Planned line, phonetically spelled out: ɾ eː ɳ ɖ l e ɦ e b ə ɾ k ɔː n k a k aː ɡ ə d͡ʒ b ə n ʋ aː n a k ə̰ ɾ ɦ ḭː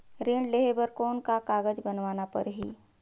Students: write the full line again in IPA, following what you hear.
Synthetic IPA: ɾ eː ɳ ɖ l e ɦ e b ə ɾ k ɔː n k a k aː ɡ ə d͡ʒ b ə n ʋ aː n a p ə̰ ɾ ɦ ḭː

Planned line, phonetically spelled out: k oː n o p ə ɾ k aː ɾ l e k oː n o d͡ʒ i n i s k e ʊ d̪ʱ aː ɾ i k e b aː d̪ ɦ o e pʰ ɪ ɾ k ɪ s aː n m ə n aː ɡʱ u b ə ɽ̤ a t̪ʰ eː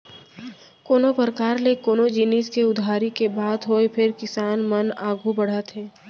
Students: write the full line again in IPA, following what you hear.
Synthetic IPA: k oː n o p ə ɾ k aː ɾ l e k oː n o d͡ʒ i n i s k e ʊ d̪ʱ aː ɾ i k e b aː d̪ ɦ o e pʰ ɪ ɾ k ɪ s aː n m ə n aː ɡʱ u b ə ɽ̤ a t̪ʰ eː

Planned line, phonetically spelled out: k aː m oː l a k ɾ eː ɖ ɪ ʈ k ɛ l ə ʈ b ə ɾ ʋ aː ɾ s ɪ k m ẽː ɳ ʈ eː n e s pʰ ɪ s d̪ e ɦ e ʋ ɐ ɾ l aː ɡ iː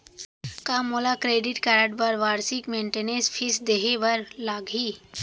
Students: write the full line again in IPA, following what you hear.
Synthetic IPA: k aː m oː l a k ɾ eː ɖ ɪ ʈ k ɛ ɾ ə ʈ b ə ɾ ʋ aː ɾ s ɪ k m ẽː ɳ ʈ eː n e s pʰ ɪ s d̪ e ɦ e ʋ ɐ ɾ l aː ɡ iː

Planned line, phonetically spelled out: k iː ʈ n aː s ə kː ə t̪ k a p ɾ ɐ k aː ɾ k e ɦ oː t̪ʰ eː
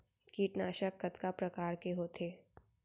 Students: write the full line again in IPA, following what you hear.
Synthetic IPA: k iː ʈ n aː ʃ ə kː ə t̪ k a p ɾ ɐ k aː ɾ k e ɦ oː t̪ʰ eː

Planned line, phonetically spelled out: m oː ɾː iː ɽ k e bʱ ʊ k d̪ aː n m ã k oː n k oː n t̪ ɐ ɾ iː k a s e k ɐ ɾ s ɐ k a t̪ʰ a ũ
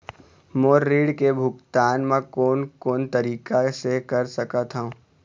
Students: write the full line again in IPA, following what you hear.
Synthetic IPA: m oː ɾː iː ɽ k e bʱ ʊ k t̪ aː n m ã k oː n k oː n t̪ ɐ ɾ iː k a s e k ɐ ɾ s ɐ k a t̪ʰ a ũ

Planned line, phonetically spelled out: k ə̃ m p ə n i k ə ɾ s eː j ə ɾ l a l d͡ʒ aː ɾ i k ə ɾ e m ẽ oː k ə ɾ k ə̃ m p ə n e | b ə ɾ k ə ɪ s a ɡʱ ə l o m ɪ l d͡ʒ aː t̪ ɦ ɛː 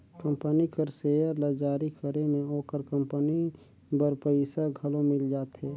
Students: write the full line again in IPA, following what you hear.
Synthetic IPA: k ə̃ m p ə n i k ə ɾ s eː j ə ɾ l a d͡ʒ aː ɾ i k ə ɾ e m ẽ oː k ə ɾ k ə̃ m p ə n i | b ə ɾ p ə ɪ s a ɡʱ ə l o m ɪ l d͡ʒ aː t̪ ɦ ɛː

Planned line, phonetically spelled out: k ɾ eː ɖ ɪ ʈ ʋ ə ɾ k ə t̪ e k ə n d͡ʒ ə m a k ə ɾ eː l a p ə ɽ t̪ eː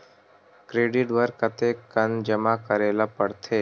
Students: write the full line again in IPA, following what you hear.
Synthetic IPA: k ɾ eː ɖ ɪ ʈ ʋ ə ɾ k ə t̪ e k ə n d͡ʒ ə m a k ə ɾ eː l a p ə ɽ t̪ʰ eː

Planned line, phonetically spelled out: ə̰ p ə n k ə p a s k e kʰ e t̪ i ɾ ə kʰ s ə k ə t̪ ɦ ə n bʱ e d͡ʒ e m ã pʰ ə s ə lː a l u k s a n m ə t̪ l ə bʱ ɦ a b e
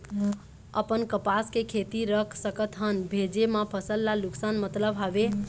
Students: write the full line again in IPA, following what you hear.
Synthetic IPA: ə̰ p ə n k ə p a s k e kʰ e t̪ i ɾ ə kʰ s ə k ə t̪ ɦ ə n bʱ e d͡ʒ e m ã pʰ ə s ə lː a l u k s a n m ə t̪ l ə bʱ ɦ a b e

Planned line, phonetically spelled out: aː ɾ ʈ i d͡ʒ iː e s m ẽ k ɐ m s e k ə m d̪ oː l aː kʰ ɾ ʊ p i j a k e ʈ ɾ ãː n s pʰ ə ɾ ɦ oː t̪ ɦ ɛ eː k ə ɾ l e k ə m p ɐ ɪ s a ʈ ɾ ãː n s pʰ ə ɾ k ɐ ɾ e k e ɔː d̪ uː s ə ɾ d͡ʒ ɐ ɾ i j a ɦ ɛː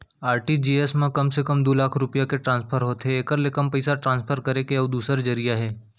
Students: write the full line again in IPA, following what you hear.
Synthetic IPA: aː ɾ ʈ i d͡ʒ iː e s m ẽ k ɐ m s e k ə m d̪ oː l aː kʰ ɾ ʊ p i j a k e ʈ ɾ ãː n s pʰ ə ɾ ɦ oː t̪ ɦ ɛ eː k ə ɾ l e k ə m p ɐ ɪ s a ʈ ɾ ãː n s pʰ ə ɾ k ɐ ɾ e k e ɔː d̪ uː s ə ɾ d͡ʒ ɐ ɾ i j a ɦ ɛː

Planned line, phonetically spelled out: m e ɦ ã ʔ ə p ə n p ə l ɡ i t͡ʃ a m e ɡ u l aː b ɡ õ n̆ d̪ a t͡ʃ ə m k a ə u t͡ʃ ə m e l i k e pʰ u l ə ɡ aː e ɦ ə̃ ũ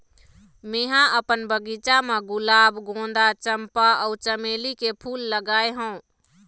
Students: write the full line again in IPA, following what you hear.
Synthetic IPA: m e ɦ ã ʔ ə p ə n b ə ɡ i t͡ʃ a m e ɡ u l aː b ɡ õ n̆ d̪ a t͡ʃ ə m p a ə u t͡ʃ ə m e l i k e pʰ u lː ə ɡ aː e ɦ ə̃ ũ

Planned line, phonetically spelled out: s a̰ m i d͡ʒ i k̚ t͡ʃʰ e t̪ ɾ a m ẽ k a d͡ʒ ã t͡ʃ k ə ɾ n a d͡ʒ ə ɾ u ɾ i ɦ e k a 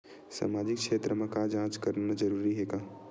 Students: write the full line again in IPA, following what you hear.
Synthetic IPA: s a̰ m a d͡ʒ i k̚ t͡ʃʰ e t̪ ɾ ə m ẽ k a d͡ʒ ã t͡ʃ k ə ɾ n a d͡ʒ ə ɾ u ɾ i ɦ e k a

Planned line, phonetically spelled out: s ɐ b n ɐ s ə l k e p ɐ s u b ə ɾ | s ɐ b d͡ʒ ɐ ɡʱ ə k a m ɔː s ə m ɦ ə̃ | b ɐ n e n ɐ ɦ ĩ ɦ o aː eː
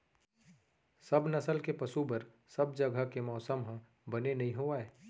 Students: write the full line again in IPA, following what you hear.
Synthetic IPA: s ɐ b n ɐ s ə l k e p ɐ s u b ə ɾ | s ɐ b d͡ʒ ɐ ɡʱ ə k e m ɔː s ə m ɦ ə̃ | b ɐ n e n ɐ ɦ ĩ ɦ o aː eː

